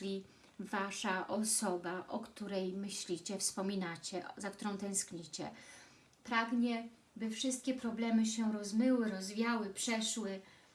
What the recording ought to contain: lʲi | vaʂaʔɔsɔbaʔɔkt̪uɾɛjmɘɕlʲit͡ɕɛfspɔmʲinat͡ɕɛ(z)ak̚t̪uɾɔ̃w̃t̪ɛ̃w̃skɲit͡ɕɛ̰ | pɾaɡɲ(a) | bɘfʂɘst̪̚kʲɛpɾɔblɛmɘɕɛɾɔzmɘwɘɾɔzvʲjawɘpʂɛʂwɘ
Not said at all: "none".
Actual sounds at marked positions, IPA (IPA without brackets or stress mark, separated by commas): z, ɛ